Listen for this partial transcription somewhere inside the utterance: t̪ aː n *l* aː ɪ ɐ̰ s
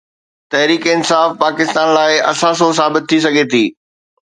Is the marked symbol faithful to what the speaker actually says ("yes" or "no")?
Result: yes